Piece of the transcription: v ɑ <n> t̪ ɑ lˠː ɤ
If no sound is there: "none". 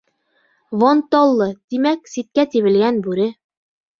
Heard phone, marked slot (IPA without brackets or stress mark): n